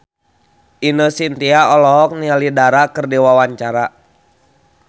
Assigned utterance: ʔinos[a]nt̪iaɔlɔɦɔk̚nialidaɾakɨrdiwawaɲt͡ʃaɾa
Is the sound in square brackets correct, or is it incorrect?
incorrect: i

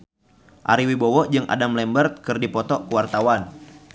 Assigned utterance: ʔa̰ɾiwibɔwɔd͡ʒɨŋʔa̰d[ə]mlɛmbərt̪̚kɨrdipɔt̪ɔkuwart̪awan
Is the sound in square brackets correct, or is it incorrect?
incorrect: a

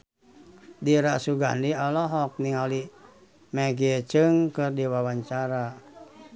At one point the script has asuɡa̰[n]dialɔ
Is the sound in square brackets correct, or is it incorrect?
correct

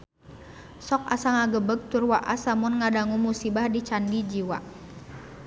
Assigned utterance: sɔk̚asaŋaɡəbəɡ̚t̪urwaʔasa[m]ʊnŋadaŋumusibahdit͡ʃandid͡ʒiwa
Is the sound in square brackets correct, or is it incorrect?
correct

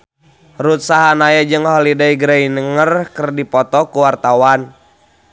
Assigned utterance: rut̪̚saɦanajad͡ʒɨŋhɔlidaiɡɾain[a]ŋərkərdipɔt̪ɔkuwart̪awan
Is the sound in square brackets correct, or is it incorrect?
incorrect: ə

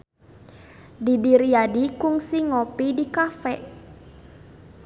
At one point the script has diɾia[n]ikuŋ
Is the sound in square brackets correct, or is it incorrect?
incorrect: d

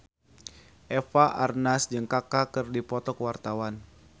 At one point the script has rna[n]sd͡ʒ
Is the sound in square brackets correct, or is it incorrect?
incorrect: none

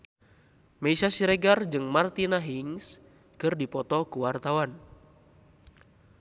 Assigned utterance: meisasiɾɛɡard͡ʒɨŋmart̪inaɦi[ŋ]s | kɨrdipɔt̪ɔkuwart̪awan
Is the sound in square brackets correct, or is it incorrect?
correct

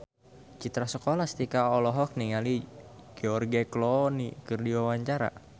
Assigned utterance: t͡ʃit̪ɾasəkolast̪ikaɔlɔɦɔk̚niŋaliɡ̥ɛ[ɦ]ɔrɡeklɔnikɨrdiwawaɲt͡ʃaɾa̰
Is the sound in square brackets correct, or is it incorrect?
incorrect: none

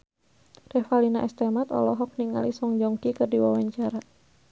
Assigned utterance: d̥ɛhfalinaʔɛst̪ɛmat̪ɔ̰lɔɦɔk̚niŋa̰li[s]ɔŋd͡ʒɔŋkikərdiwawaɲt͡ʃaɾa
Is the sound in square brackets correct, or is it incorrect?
correct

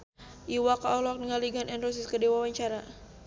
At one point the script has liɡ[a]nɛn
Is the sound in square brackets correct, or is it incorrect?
correct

